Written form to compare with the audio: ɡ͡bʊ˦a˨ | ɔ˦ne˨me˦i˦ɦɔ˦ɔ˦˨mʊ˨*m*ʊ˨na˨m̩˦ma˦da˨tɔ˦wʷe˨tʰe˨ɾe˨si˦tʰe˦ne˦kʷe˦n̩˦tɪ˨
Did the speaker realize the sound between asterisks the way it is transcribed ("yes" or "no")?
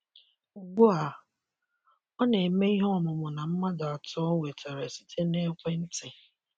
yes